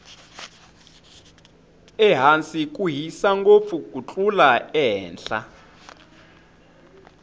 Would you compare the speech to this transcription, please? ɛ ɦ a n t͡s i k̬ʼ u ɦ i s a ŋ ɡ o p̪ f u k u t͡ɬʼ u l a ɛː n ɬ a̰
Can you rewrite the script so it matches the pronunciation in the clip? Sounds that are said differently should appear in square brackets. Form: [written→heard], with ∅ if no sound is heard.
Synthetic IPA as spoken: ɛ ɦ a n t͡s i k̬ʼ u ɦ i s a ŋ ɡ o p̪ f u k u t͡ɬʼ u l a ɛː n ɬ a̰